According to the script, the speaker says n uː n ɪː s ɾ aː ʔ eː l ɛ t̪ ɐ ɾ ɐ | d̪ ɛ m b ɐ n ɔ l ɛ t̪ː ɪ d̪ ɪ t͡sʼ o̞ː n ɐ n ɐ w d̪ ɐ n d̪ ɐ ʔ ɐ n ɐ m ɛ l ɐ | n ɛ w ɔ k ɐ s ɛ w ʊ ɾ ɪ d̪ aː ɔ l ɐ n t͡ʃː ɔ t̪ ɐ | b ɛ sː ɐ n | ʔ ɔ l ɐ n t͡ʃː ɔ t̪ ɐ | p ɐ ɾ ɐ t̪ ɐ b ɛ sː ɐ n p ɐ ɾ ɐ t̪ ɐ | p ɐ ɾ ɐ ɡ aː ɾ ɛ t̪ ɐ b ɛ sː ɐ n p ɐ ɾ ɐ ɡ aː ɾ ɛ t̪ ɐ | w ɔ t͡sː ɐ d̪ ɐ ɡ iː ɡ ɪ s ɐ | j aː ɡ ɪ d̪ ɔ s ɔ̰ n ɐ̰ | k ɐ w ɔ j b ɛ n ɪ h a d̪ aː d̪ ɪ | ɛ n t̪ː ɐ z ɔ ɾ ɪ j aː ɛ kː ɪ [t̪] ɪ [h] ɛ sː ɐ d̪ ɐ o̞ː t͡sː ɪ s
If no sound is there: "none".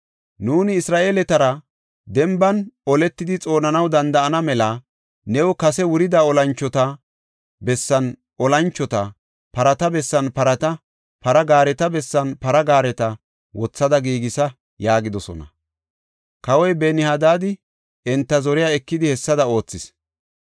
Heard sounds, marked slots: d̪, h

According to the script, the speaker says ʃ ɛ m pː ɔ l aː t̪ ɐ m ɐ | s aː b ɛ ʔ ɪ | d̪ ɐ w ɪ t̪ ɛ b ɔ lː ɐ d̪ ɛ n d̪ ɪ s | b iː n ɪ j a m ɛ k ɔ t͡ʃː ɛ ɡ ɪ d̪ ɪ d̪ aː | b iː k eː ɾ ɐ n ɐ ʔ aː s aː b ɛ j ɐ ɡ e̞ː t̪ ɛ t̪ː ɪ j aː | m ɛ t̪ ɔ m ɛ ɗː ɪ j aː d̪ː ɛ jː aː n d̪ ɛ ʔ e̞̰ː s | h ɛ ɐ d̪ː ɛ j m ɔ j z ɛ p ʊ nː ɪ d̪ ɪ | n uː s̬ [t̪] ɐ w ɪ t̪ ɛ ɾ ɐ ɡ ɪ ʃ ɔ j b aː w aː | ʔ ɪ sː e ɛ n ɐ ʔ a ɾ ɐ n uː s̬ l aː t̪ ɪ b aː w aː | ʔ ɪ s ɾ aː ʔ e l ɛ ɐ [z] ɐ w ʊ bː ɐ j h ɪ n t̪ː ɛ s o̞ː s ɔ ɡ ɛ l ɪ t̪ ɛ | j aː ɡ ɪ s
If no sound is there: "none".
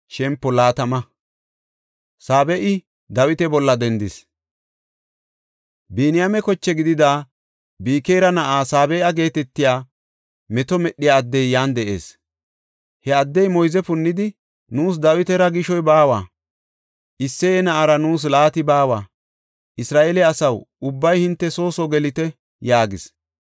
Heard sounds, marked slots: d̪, s

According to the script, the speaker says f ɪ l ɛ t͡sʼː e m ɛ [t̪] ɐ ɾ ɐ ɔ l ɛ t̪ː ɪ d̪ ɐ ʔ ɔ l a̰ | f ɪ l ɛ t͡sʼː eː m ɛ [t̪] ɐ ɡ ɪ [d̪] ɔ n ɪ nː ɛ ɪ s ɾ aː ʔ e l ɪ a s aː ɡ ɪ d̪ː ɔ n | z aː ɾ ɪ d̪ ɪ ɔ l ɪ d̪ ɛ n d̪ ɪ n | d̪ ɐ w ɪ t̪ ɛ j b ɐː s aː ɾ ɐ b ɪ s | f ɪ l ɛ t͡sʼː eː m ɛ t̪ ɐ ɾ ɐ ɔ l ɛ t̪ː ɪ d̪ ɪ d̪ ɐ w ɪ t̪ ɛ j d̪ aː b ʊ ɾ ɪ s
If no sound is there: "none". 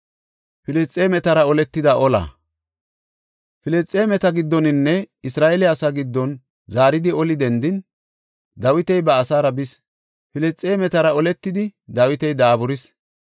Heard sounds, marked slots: t̪, t̪, d̪ː

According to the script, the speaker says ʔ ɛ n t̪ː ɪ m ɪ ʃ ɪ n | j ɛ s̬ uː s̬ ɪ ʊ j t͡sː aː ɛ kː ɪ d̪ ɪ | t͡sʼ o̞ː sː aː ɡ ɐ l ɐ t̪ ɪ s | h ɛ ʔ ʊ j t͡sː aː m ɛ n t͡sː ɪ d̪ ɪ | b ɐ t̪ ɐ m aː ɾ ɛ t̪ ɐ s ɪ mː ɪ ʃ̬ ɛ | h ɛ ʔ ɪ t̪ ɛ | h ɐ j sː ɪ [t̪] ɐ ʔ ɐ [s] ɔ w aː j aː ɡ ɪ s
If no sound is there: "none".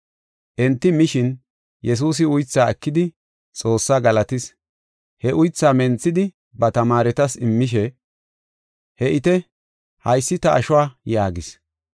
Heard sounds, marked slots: t̪, ʃ

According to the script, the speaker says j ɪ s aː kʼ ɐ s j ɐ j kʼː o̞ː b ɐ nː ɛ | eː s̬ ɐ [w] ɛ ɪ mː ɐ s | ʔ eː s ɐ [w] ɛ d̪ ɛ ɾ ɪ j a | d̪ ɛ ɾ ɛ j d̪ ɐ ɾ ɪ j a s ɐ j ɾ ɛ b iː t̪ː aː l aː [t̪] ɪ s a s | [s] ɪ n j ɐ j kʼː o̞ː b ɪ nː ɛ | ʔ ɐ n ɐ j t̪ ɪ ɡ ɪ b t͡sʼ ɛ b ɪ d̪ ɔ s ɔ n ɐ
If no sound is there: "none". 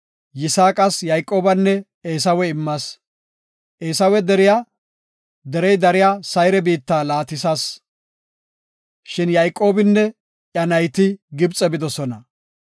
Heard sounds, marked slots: w, w, t̪, ʃ

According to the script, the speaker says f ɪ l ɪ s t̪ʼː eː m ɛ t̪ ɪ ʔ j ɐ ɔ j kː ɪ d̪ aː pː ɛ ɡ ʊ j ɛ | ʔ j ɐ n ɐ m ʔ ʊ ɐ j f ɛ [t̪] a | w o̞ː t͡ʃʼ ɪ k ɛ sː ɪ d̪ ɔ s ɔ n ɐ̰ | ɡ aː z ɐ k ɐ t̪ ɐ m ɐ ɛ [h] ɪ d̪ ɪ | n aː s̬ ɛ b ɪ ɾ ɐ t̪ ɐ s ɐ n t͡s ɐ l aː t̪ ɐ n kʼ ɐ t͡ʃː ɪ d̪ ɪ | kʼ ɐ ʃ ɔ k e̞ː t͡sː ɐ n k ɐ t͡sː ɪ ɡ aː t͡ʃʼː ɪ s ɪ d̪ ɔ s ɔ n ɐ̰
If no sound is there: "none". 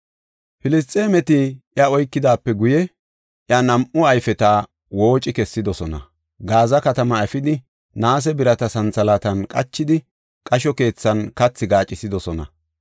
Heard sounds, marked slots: t̪, f

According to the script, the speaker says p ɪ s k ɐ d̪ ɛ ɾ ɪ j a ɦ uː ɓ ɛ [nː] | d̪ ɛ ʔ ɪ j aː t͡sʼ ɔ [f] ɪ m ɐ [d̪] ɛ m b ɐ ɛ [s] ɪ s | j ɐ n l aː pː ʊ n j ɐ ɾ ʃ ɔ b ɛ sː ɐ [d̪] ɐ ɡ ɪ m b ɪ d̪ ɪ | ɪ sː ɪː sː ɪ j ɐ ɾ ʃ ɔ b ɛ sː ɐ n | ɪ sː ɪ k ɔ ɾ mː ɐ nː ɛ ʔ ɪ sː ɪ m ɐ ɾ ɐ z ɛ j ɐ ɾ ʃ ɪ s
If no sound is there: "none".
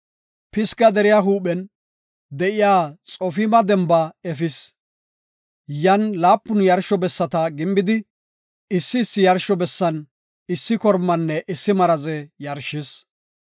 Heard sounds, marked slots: n, f, d̪, f, t̪

